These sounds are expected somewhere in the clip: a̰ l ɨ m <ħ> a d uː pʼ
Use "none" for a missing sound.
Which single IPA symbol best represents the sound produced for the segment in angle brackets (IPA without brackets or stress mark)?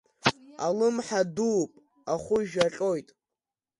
ħ